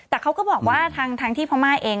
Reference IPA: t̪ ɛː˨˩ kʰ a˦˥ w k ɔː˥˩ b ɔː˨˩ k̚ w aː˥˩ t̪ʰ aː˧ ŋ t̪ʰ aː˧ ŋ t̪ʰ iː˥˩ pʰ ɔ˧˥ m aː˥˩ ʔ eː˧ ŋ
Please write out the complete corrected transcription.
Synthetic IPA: t̪ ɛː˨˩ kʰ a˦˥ w k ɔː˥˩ b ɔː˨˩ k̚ w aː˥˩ t̪ʰ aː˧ ŋ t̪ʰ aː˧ ŋ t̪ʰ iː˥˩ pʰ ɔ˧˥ m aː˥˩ ʔ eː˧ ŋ